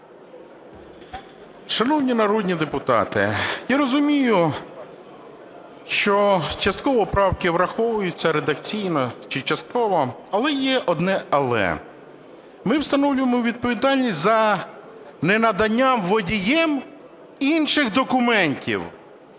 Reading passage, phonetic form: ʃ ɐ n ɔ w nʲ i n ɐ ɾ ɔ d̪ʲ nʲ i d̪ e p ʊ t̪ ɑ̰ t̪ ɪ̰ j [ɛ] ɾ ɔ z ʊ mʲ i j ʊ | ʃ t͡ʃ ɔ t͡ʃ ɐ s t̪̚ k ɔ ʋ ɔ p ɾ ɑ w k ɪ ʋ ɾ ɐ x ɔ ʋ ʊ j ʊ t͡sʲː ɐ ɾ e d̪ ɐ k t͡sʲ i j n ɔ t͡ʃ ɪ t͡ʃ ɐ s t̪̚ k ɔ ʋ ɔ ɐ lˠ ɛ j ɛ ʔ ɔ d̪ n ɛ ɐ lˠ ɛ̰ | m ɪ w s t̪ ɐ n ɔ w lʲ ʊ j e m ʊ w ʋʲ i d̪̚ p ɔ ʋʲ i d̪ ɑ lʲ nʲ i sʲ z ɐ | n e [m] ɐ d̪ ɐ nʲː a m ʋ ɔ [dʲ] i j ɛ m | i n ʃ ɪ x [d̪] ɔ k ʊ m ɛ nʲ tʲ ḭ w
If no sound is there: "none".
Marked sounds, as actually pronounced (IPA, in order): a, n, dʲ, d̪

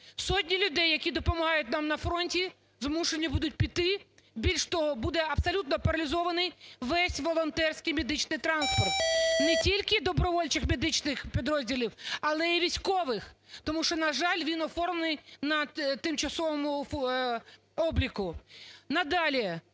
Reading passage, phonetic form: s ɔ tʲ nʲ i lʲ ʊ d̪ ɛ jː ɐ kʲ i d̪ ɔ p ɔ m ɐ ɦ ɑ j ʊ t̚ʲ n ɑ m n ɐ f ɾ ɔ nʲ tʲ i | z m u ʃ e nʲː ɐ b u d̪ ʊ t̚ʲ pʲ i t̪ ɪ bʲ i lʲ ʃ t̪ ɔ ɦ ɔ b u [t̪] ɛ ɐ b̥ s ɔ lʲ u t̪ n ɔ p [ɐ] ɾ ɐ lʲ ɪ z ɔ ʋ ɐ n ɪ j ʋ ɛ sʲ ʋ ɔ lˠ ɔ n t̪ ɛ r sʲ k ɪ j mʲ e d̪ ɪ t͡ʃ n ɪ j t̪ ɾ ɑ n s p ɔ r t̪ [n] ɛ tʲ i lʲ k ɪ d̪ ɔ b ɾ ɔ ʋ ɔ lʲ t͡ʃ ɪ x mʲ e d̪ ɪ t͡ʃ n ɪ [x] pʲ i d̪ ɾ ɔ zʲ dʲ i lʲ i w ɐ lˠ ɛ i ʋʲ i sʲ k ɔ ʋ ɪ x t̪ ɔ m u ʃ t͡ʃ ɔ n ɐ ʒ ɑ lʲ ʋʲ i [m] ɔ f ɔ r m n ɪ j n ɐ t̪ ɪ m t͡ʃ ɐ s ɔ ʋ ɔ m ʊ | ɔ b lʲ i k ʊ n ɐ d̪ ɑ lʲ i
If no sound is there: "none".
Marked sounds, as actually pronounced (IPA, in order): d̪, ɐ, n, x, n

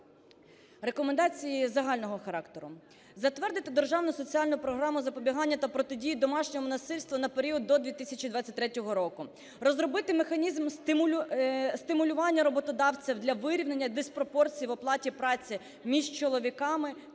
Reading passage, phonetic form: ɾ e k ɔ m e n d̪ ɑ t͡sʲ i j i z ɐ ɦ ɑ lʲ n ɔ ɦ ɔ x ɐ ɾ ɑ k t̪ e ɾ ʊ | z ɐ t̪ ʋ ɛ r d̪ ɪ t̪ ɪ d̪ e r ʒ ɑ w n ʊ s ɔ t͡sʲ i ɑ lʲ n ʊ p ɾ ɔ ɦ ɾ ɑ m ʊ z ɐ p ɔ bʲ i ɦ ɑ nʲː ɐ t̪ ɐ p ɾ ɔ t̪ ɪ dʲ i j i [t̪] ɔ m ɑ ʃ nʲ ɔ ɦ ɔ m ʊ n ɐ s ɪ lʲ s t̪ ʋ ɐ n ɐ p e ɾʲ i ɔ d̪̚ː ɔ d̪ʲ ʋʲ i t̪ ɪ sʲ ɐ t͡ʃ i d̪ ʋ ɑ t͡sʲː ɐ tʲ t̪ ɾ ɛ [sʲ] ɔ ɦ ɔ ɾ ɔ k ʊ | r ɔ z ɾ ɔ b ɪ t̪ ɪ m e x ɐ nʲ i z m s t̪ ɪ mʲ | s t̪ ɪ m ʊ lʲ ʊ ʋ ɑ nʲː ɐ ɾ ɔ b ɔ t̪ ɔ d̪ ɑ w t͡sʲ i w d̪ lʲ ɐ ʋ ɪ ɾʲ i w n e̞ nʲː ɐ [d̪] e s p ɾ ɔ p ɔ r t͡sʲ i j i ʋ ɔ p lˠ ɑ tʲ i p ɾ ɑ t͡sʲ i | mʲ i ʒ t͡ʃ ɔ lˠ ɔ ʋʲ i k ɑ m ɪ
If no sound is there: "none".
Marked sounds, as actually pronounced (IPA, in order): d̪, tʲ, d̪

